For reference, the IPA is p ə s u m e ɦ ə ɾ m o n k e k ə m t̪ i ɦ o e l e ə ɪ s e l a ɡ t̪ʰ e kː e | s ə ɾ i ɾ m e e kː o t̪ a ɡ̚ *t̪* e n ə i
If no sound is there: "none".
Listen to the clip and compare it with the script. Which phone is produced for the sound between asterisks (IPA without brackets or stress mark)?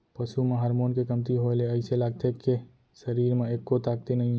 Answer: t̪